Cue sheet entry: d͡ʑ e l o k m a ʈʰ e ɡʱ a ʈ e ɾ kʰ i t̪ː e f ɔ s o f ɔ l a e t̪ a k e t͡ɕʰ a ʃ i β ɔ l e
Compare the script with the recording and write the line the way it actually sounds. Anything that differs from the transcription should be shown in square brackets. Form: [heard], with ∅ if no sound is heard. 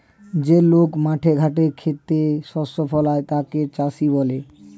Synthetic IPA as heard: d͡ʑ e l o k m a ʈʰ e ɡʱ a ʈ e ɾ kʰ [e] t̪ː e [ʃ] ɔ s o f ɔ l a e t̪ a k e [t͡ɕ] a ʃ i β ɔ l e